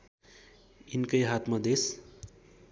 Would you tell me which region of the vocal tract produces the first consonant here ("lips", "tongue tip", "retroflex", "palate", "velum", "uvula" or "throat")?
tongue tip